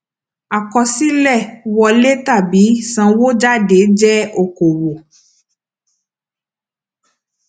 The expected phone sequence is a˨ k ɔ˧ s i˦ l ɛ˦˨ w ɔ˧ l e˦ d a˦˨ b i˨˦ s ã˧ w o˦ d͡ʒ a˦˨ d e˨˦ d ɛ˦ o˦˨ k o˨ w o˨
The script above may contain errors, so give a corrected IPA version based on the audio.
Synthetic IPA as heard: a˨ k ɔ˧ s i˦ l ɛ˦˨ w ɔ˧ l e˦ t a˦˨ b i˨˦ s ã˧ w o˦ d͡ʒ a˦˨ d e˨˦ d͡ʒ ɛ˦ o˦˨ k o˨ w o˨